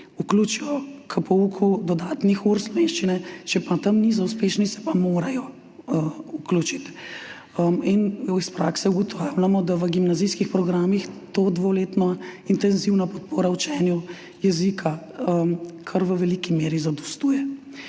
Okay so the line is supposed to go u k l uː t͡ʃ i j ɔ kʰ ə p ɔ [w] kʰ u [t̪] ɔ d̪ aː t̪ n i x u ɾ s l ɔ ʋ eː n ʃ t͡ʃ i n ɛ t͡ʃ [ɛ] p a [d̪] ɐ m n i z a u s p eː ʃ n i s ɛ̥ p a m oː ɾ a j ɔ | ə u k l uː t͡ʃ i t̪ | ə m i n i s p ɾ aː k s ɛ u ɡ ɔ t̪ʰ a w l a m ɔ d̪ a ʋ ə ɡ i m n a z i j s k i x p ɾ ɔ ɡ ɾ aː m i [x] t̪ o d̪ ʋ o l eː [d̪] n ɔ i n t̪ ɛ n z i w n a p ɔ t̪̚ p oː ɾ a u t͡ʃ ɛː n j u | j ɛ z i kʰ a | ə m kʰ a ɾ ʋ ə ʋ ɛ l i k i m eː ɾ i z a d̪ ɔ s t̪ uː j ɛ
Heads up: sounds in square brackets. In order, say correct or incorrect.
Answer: incorrect: u, incorrect: d̪, correct, incorrect: t̪, correct, incorrect: t̪

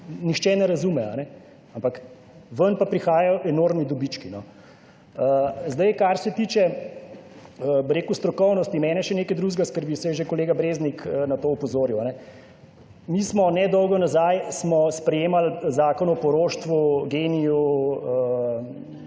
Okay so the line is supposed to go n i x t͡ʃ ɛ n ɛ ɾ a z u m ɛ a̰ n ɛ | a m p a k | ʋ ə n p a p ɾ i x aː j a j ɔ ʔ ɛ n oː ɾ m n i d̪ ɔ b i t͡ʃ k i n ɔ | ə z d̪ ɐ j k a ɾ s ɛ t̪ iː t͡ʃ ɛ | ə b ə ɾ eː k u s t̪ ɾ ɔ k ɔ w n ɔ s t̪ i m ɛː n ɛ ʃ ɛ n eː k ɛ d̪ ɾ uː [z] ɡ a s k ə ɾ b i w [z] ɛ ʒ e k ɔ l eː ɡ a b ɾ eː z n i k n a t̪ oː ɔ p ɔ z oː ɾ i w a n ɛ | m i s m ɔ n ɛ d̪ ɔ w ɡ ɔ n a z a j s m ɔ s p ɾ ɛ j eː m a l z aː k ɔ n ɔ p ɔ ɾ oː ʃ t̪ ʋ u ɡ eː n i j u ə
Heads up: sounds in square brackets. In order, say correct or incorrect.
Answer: incorrect: ʒ, incorrect: s

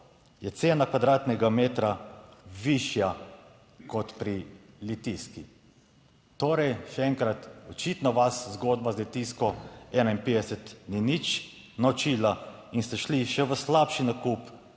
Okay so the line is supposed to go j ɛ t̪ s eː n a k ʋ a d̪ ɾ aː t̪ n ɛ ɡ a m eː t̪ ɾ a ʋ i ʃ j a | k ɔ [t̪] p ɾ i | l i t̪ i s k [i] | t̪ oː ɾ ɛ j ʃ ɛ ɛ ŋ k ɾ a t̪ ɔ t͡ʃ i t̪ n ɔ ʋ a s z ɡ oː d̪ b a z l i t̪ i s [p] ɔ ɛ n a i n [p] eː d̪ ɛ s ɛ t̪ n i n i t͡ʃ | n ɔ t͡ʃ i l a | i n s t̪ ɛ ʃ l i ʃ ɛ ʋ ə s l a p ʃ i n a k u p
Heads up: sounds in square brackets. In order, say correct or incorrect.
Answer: correct, correct, incorrect: k, correct

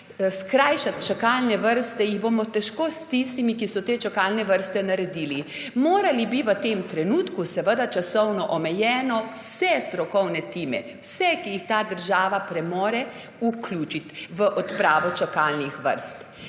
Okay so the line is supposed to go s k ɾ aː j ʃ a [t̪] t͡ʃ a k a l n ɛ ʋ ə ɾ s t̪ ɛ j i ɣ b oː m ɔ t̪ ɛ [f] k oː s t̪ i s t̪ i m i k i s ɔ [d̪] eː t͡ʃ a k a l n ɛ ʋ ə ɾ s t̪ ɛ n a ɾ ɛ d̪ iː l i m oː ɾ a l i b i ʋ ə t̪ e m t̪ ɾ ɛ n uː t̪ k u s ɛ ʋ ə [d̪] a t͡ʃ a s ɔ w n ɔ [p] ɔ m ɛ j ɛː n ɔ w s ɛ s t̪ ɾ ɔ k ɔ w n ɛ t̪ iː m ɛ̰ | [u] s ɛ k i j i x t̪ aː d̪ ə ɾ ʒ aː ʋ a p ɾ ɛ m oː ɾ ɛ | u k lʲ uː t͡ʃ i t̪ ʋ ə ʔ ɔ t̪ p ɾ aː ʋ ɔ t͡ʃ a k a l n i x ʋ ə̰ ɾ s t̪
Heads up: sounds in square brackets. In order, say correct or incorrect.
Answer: correct, incorrect: ʃ, incorrect: t̪, correct, incorrect: ʔ, incorrect: w

